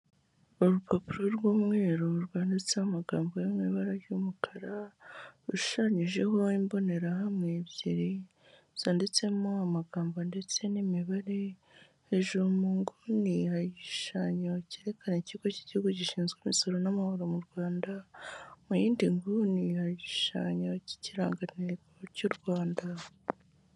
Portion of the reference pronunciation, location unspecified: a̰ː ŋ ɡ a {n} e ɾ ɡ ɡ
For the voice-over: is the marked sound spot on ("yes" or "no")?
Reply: yes